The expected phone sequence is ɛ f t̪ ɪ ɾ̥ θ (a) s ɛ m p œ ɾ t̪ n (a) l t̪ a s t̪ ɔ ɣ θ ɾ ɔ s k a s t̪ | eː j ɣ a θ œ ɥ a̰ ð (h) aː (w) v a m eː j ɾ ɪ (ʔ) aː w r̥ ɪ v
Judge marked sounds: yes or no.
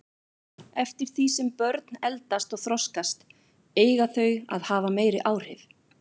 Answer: no, no, yes, no, yes

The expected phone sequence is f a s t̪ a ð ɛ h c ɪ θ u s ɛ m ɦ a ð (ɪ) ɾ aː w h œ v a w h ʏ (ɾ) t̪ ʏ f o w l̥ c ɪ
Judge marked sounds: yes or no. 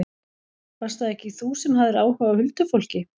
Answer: yes, no

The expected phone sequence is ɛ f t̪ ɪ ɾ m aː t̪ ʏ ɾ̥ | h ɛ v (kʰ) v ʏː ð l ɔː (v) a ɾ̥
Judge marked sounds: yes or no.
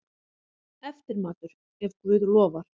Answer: no, yes

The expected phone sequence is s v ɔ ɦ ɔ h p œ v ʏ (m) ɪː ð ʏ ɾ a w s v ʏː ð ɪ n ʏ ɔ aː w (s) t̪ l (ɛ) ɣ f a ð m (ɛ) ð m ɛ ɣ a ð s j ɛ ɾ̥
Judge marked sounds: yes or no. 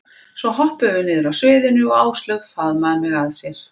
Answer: no, yes, no, no

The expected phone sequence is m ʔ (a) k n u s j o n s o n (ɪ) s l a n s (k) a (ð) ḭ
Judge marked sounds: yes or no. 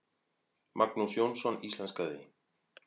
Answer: yes, no, yes, yes

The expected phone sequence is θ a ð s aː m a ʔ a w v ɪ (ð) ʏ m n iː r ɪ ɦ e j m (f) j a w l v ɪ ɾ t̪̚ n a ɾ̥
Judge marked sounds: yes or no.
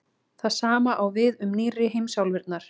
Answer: yes, no

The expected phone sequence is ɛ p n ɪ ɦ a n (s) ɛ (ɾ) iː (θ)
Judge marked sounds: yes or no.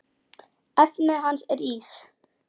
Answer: yes, yes, no

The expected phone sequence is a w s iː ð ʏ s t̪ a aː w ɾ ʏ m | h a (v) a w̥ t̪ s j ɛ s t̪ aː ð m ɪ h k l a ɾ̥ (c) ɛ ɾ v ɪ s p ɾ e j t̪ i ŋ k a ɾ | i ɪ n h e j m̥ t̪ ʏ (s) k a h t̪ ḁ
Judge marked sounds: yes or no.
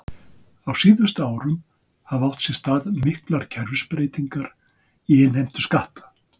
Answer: yes, no, yes

